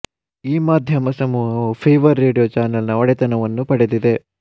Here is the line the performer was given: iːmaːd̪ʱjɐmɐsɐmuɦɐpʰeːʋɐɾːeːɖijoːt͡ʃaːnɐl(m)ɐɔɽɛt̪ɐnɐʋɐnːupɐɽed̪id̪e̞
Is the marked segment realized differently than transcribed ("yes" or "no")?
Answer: yes